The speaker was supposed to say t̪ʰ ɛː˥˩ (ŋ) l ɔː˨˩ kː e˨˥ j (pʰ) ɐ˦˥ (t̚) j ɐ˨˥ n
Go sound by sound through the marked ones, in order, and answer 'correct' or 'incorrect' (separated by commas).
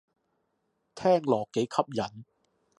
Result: correct, incorrect, incorrect